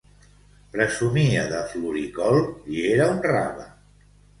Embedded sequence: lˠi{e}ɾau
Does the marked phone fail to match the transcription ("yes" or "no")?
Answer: no